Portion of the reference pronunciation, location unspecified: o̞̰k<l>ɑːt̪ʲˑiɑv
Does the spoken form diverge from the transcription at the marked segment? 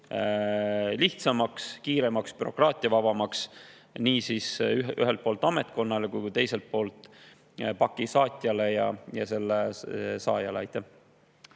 yes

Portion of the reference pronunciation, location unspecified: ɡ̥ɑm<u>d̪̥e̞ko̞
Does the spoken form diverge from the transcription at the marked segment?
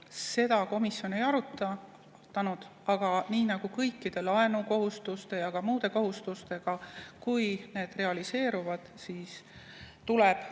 yes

